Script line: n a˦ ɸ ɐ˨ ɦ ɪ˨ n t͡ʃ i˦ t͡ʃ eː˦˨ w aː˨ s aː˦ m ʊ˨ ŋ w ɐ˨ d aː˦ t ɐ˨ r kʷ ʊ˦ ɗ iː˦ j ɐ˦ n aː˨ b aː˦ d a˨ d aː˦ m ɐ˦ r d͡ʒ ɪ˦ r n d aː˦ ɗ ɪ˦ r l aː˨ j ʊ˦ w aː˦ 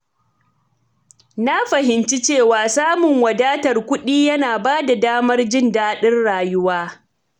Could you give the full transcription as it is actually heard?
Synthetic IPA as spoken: n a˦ ɸ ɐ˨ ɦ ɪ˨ n t͡ʃ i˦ t͡ʃ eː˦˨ w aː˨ s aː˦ m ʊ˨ ŋ w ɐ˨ d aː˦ t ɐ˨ r kʷ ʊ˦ ɗ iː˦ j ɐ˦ n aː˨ b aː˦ d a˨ d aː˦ m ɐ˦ r d͡ʒ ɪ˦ n d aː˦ ɗ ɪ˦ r ɽ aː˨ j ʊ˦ w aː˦

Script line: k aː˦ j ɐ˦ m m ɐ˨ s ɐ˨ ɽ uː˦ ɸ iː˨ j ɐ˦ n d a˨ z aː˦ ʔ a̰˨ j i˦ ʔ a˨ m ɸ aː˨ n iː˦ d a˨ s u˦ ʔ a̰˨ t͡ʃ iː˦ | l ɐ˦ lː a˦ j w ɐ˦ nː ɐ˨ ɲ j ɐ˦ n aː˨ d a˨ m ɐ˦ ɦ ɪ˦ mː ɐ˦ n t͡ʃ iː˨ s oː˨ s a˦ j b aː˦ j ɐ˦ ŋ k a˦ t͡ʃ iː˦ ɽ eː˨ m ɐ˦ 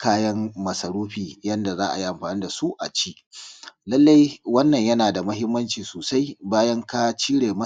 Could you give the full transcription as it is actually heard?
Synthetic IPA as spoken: k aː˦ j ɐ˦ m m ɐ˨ s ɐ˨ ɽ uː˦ ɸ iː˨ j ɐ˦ n d a˨ z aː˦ ʔ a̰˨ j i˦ ʔ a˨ m ɸ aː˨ n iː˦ d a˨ s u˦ ʔ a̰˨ t͡ʃ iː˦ | l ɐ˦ lː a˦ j w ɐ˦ nː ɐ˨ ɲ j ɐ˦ n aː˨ d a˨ m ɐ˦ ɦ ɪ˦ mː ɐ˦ n t͡ʃ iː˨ s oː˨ s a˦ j b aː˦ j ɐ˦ ŋ k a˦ t͡ʃ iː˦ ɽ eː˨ m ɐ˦

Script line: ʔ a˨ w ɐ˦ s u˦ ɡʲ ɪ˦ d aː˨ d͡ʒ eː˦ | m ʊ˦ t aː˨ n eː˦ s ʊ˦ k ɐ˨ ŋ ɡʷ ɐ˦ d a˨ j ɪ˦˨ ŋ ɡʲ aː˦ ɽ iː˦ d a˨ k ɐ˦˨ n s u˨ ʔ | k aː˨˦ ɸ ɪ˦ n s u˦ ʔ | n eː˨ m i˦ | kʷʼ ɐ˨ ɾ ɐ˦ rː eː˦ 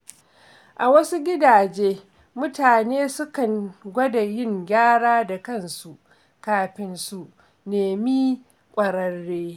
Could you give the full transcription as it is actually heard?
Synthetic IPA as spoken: ʔ a˨ w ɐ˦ s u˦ ɡʲ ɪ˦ d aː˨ d͡ʒ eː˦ | m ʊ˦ t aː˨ n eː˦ s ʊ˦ k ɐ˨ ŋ ɡʷ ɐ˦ d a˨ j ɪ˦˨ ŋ ɡʲ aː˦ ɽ aː˦ d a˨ k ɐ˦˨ n s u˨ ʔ | k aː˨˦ ɸ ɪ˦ n s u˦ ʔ | n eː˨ m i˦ | kʷʼ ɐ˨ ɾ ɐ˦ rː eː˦

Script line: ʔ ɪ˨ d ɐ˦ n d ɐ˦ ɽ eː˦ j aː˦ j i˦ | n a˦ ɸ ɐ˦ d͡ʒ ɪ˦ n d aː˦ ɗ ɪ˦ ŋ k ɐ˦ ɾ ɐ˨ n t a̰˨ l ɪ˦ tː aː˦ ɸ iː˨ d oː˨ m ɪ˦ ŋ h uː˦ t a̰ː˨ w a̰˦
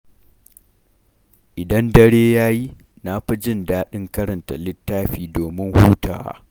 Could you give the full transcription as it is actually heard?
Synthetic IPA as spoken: ʔ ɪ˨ d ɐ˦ n d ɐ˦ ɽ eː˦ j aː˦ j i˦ | n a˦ ɸ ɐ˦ d͡ʒ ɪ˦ n d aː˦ ɗ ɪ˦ ŋ k ɐ˦ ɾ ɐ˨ n t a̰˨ l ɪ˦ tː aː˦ ɸ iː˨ d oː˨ m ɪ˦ ŋ h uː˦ t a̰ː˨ w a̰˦

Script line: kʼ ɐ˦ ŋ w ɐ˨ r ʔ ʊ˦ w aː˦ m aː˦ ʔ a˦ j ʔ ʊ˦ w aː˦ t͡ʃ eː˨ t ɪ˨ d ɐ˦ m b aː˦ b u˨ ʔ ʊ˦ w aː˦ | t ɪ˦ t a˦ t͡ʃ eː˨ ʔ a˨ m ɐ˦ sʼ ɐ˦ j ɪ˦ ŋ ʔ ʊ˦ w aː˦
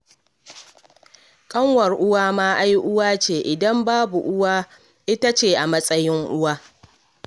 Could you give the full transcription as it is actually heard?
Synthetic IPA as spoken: kʼ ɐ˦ ŋ w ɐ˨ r ʔ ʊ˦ w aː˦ m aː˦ ʔ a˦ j ʔ ʊ˦ w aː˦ t͡ʃ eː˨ ʔ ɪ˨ d ɐ˦ m b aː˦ b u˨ ʔ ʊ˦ w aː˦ | ʔ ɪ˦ t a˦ t͡ʃ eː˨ ʔ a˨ m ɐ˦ sʼ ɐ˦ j ɪ˦ ŋ ʔ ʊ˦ w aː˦

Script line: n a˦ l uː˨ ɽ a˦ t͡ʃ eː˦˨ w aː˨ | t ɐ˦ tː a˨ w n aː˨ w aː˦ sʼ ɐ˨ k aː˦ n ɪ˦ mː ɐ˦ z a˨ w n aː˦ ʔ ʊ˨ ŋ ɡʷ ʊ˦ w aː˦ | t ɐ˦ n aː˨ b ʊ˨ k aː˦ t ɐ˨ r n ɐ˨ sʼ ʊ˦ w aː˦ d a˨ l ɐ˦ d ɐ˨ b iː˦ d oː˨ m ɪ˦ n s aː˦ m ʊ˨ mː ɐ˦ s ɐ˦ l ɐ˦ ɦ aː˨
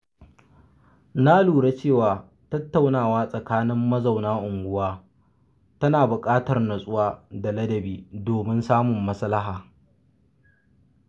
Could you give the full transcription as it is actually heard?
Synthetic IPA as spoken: n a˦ l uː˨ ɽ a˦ t͡ʃ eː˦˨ w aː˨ | t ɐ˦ tː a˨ w n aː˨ w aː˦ sʼ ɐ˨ k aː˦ n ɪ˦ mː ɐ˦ z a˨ w n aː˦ ʔ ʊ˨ ŋ ɡʷ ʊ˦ w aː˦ | t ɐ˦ n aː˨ b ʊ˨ kʼ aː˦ t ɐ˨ r n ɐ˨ sʼ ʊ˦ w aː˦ d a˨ l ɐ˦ d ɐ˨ b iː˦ d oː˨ m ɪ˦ n s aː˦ m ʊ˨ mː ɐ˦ s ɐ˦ l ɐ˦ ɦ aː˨

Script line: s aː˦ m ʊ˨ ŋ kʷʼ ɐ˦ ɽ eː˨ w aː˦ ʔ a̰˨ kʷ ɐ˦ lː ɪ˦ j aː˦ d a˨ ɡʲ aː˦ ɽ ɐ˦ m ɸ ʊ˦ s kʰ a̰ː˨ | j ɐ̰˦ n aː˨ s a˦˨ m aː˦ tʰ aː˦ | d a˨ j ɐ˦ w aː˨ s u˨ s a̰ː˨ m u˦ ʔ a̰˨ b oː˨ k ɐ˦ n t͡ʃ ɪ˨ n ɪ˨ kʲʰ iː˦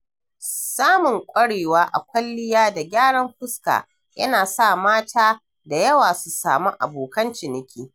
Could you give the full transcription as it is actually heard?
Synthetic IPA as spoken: s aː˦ m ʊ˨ ŋ kʷʼ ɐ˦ ɽ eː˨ w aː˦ ʔ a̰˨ kʷ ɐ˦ lː ɪ˦ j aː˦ d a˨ ɡʲ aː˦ ɽ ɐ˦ m ɸ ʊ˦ s k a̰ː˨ | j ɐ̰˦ n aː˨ s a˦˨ m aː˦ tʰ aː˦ | d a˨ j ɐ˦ w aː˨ s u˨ s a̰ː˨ m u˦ ʔ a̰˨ b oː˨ k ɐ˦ n t͡ʃ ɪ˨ n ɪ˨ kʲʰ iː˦

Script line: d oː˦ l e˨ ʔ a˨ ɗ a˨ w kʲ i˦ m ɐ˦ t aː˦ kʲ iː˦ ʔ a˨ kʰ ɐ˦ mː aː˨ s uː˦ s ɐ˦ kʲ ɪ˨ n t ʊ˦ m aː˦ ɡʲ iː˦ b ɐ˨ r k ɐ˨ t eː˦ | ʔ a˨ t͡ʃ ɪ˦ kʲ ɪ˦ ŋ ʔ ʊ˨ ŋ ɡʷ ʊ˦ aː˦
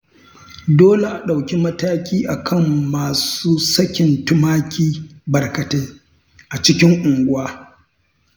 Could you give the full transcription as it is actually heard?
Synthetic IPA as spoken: d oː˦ l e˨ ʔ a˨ ɗ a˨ w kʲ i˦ m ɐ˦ t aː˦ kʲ iː˦ ʔ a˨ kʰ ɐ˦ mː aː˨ s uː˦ s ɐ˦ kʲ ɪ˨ n t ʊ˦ m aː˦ kʲ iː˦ b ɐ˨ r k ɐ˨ t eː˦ | ʔ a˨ t͡ʃ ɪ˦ kʲ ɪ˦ ŋ ʔ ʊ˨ ŋ ɡʷ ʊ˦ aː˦

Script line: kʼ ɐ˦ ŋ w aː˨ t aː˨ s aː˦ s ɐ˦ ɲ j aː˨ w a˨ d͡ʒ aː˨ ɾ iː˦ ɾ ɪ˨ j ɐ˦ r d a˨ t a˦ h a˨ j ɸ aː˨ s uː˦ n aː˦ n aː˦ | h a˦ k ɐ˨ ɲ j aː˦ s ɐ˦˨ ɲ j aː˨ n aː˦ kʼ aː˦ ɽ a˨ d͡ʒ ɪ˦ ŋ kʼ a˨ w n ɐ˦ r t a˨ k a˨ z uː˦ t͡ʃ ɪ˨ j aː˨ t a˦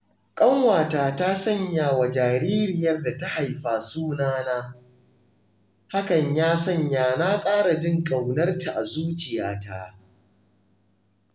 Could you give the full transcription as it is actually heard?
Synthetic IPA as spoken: kʼ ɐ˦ ŋ w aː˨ t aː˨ t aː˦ s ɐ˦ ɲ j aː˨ w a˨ d͡ʒ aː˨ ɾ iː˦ ɾ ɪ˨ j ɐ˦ r d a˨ t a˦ h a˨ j ɸ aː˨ s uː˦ n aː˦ n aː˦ | h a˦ k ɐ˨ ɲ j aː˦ s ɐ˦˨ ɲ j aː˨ n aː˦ kʼ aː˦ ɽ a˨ d͡ʒ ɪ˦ ŋ kʼ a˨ w n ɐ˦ r t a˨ ʔ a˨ z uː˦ t͡ʃ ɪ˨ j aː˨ t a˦

